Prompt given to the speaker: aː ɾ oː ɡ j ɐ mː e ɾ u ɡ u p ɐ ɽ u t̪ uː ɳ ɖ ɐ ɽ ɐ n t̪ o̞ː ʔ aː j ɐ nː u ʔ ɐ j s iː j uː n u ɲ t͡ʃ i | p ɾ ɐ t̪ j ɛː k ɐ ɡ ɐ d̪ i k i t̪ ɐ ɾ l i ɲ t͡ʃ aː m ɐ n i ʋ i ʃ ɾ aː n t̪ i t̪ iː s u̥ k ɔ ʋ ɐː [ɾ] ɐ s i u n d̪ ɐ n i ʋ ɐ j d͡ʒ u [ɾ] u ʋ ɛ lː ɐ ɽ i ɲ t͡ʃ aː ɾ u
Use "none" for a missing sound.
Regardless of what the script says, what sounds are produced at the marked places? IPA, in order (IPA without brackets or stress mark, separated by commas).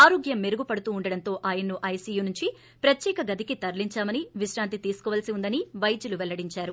l, l